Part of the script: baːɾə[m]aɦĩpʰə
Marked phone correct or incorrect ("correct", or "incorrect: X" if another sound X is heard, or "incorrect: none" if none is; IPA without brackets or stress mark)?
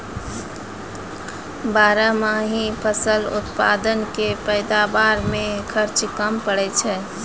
correct